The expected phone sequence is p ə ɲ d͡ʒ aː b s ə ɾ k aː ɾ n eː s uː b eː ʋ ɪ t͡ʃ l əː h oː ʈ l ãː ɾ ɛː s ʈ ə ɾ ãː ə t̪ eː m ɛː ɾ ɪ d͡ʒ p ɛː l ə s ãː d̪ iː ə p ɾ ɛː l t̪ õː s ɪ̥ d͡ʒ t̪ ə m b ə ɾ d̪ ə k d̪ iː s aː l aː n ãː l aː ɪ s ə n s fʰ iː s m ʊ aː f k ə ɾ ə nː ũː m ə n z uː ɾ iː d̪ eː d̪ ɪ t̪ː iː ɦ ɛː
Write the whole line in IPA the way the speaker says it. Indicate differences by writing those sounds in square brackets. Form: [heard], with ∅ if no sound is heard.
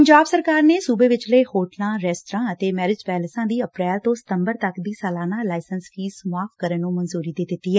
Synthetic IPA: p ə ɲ d͡ʒ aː b s ə ɾ k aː ɾ n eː s uː b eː ʋ ɪ t͡ʃ l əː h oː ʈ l ãː ɾ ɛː s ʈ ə ɾ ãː ə t̪ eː m ɛː ɾ ɪ d͡ʒ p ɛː l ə s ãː d̪ iː ə p ɾ ɛː l t̪ õː s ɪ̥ [∅] t̪ ə m b ə ɾ [t̪] ə k d̪ iː s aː l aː n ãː l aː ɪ s ə n s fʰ iː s m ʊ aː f k ə ɾ ə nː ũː m ə n z uː ɾ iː d̪ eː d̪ ɪ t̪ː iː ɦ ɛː